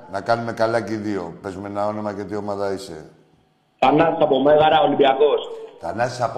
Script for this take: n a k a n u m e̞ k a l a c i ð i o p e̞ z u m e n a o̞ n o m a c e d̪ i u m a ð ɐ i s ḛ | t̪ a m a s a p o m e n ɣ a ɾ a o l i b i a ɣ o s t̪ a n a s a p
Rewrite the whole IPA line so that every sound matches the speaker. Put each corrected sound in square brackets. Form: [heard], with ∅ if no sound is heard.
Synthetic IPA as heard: n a k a n u m e̞ k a l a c i ð i o p e̞ z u m e n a o̞ n o m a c e [t̪] i [o] m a ð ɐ i s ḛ | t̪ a [n] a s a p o m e [∅] ɣ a ɾ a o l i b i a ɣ o s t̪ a n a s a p